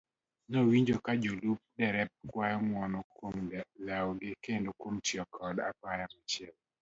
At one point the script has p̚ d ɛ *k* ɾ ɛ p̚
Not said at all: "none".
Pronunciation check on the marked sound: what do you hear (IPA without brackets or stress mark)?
none